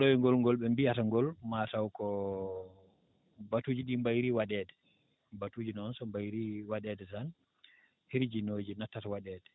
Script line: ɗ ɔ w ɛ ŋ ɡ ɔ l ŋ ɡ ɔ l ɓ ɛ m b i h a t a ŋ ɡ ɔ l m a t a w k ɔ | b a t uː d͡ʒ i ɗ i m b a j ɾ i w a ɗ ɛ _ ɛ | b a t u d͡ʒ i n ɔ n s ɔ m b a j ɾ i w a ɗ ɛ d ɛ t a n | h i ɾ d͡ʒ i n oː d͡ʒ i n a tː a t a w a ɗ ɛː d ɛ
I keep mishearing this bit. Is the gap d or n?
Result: d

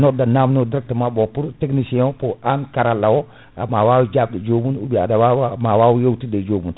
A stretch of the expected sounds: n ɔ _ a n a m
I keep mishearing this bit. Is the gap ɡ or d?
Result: d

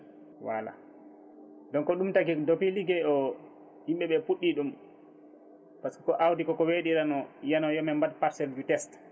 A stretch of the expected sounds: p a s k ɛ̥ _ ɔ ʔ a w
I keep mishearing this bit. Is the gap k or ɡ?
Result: k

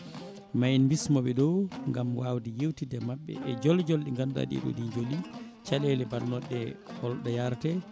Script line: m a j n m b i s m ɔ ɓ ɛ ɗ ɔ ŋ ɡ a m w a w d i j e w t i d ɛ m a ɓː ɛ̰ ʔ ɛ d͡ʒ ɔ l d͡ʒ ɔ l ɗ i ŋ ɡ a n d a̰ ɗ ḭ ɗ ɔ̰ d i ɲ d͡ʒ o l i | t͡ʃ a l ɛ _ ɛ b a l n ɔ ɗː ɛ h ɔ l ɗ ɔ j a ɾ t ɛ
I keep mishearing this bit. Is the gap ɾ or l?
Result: l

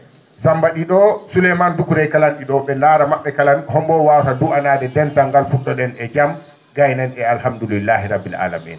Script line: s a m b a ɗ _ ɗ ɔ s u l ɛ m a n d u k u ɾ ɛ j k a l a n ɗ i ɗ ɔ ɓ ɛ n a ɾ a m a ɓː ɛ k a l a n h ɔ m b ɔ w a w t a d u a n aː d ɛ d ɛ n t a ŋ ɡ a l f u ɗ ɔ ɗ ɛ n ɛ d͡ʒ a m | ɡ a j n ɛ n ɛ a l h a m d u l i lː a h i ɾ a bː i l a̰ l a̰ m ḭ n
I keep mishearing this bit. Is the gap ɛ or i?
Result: i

